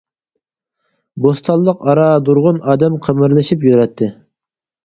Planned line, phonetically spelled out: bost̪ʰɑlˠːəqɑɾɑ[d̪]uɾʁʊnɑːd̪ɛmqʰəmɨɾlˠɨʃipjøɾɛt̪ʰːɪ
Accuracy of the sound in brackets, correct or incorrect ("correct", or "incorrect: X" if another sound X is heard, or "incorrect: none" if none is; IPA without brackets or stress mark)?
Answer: correct